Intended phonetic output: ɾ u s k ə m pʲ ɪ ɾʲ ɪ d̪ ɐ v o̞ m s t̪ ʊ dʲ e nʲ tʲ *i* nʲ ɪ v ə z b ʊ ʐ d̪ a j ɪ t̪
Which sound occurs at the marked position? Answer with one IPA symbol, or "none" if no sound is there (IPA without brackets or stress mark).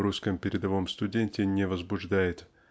ɪ